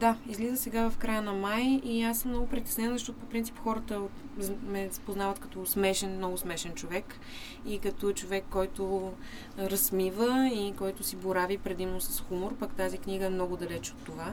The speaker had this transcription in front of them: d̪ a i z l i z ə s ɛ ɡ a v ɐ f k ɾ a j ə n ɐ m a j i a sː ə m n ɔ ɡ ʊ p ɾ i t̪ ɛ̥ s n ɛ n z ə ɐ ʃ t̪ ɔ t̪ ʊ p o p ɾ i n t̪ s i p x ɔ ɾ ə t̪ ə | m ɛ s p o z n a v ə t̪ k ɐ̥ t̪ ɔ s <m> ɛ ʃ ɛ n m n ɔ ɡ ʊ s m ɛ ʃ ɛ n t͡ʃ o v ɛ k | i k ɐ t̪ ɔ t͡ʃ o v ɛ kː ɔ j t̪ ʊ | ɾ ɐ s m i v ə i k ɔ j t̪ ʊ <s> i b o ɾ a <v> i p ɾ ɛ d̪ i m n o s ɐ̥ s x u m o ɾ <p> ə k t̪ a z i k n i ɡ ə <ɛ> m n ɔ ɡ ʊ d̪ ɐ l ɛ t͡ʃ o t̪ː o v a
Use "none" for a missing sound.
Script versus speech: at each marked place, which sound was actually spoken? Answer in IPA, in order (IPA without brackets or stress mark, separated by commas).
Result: m, s, v, p, ɛ